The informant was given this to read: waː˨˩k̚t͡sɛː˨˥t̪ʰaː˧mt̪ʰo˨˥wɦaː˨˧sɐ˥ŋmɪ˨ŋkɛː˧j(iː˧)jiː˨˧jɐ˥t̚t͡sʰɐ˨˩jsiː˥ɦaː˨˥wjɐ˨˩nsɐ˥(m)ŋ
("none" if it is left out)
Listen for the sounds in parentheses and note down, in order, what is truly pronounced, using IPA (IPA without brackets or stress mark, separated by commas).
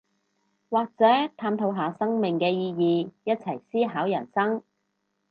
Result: iː˧, none